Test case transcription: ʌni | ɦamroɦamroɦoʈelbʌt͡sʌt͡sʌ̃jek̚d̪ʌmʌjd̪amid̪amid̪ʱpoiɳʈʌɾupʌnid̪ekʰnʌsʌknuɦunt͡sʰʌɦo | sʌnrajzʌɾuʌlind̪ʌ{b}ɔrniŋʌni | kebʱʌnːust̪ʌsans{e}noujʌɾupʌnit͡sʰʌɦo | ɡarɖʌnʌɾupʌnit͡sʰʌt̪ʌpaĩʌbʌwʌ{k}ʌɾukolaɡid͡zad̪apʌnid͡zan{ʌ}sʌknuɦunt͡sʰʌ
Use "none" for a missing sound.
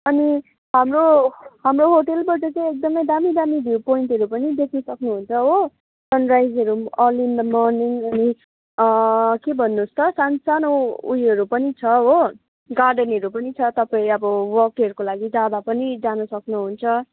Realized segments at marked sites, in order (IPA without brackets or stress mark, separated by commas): m, a, k, ʌ